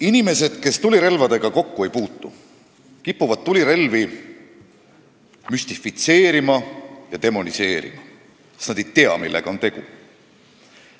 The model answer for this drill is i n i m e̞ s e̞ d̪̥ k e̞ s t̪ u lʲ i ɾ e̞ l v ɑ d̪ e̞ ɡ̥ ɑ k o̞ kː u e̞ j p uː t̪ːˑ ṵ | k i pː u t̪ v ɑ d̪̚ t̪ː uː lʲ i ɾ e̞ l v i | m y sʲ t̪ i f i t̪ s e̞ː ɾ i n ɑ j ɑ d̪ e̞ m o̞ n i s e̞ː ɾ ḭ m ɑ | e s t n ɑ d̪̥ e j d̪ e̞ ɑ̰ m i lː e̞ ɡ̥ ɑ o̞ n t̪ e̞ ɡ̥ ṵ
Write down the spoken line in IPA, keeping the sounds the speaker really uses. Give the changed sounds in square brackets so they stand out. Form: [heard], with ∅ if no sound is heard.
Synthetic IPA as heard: i n i m e̞ s e̞ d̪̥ k e̞ s t̪ u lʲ i ɾ e̞ l v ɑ d̪ e̞ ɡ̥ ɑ k o̞ kː u e̞ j p uː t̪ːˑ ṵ | k i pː u [∅] v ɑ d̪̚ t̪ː [u] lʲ i ɾ e̞ l v i | m y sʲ t̪ i f i t̪ s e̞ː ɾ i [m] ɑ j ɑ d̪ e̞ m o̞ n i s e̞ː ɾ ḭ m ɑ | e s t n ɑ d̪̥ e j [t̪] e̞ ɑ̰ m i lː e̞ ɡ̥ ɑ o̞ n t̪ e̞ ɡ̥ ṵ